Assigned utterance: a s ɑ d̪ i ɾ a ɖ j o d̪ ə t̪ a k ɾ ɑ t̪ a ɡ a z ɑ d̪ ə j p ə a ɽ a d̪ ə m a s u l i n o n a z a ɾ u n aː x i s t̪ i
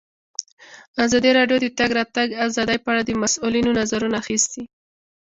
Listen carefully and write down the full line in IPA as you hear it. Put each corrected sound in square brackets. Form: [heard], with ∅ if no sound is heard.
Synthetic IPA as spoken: a [z] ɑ d̪ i ɾ [ɑ] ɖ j o d̪ ə t̪ a [ɡ] ɾ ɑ t̪ a ɡ a z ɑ d̪ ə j p ə a ɽ a d̪ ə m a s u l i n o n a z a ɾ u n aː x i s t̪ i